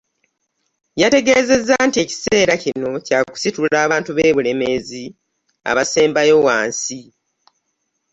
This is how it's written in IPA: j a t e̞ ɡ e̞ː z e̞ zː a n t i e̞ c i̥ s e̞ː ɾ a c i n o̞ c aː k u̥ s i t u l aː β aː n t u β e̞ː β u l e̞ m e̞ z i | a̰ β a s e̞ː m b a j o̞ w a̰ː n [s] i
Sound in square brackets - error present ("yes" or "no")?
no